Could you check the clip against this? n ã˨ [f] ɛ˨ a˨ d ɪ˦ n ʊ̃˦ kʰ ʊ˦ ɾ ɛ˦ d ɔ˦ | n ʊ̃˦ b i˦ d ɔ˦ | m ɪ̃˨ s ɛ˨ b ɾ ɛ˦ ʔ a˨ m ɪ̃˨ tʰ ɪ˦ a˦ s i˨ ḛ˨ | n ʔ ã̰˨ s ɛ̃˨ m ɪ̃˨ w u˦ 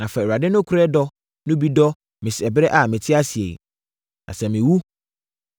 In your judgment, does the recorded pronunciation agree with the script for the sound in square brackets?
yes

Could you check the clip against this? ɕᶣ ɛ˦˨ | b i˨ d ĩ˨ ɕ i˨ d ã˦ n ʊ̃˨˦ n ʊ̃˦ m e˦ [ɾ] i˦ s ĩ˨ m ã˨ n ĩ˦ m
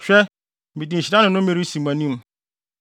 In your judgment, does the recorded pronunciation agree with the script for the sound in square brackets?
yes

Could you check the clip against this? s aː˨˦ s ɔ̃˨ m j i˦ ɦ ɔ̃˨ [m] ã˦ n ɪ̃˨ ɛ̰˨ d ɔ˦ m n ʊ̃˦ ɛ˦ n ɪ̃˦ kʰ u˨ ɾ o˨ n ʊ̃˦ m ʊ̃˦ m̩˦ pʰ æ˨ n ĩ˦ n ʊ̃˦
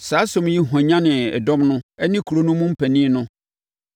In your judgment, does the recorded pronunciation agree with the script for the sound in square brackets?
no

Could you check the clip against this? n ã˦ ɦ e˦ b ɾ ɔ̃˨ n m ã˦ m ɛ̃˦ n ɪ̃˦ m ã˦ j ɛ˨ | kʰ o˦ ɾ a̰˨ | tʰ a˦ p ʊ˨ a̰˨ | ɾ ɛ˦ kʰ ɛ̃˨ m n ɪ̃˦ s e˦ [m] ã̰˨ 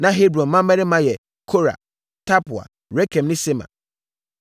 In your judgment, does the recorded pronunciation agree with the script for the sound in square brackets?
yes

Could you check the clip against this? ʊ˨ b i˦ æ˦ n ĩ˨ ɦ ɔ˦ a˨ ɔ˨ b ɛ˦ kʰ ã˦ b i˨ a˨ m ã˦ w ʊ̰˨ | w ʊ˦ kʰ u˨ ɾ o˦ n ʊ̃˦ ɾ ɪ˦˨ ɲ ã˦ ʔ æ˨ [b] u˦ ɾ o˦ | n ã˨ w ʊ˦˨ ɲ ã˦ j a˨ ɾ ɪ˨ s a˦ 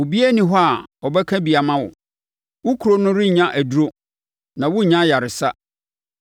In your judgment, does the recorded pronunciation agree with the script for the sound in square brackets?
no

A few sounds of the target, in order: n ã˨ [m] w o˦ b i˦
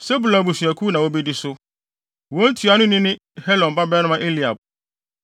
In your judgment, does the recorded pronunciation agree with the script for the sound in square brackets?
no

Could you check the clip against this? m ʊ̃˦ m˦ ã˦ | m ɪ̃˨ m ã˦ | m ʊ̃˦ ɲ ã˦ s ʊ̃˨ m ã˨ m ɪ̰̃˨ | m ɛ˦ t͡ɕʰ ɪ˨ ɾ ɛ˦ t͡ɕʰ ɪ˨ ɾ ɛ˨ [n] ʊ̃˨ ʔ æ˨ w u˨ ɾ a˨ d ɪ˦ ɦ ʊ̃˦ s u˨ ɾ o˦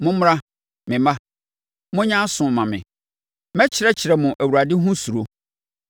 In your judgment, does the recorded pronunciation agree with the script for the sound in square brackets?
no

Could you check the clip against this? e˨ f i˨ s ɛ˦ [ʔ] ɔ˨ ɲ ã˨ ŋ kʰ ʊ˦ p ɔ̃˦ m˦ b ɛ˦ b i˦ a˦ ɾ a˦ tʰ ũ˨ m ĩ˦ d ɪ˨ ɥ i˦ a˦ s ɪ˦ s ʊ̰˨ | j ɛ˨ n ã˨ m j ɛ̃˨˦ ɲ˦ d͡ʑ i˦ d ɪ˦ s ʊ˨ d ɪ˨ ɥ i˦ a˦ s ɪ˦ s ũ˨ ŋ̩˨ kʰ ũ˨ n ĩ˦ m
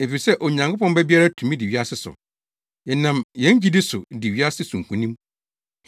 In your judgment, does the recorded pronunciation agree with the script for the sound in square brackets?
yes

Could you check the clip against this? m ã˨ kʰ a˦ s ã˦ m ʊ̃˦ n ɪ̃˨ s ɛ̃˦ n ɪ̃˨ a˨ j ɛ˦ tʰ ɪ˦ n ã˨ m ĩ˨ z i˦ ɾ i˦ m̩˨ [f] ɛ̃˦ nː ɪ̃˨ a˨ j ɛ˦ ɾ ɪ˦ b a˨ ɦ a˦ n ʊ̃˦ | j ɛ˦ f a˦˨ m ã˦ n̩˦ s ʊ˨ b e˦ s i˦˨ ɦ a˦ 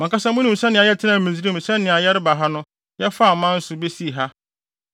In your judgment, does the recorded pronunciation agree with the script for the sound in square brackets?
no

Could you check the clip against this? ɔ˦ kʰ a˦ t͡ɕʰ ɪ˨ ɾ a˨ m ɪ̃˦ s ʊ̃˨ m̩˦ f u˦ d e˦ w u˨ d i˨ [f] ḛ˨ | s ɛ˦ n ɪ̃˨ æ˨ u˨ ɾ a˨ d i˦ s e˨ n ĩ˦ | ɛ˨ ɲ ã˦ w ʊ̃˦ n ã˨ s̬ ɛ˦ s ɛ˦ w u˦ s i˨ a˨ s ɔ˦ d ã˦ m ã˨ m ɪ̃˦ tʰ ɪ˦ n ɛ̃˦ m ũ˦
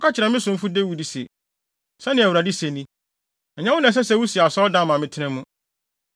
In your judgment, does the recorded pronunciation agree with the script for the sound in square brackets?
no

